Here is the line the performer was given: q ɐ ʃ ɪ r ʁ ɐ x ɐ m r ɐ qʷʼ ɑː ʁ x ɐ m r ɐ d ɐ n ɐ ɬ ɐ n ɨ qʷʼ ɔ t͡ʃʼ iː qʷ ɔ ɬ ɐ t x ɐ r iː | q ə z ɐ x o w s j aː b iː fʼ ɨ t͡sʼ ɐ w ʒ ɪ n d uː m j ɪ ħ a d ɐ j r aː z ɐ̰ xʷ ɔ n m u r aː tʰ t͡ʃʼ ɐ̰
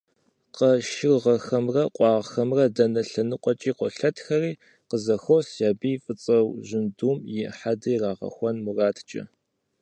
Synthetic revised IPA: q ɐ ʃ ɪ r ʁ ɐ x ɐ m r ɐ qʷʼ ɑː ʁ x ɐ m r ɐ d ɐ n ɐ ɬ ɐ n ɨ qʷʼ ɔ t͡ʃʼ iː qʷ ɔ ɬ ɐ t x ɐ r iː | q ə z ɐ x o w s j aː b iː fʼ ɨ t͡sʼ ɐ w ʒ ɪ n d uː m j ɪ ħ a d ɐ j r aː ʁ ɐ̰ xʷ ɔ n m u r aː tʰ t͡ʃʼ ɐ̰